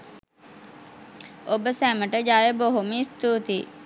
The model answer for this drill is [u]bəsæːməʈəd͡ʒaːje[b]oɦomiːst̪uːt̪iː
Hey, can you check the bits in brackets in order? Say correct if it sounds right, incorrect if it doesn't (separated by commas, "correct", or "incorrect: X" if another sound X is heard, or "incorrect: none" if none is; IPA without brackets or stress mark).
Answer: incorrect: o, correct